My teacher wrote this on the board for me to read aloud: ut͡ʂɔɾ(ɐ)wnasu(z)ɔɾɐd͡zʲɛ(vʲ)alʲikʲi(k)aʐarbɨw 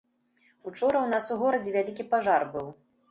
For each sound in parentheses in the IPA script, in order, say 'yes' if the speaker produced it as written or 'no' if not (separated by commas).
yes, no, yes, no